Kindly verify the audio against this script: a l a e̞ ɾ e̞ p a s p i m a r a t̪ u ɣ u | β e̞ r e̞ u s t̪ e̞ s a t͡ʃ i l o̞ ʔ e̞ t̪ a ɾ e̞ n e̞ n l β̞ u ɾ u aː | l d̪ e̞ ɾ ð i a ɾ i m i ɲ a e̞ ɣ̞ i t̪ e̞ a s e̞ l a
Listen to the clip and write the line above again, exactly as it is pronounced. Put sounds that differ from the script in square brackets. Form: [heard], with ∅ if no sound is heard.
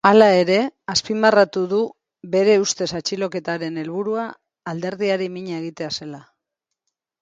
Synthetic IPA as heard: a l a e̞ ɾ e̞ [∅] a s p i m a r a t̪ u [ð] u | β e̞ [ɾ] e̞ u s t̪ e̞ s a t͡ʃ i l o̞ [k] e̞ t̪ a ɾ e̞ n e̞ [∅] l β̞ u ɾ u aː | l d̪ e̞ ɾ ð i a ɾ i m i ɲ a e̞ ɣ̞ i t̪ e̞ a s e̞ l a